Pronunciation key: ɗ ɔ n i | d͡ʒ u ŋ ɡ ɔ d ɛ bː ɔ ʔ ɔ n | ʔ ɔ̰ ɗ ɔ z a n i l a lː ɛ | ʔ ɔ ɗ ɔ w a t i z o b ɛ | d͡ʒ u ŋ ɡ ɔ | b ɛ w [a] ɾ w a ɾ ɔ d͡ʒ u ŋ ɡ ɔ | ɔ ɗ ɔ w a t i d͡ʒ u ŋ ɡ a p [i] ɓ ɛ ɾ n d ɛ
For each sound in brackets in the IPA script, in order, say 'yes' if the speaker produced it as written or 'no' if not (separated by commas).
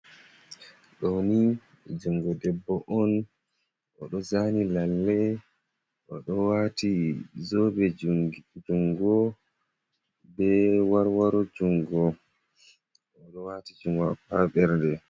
yes, no